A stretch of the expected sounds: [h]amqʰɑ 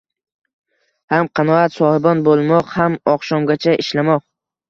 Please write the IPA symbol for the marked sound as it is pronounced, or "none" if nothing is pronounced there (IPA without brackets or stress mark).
h